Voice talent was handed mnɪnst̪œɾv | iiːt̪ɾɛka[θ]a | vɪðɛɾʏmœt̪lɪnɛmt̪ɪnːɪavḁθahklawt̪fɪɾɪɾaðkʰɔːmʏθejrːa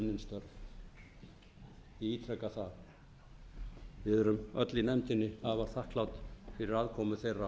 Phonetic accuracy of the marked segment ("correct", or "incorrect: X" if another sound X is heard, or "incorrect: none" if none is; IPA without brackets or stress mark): correct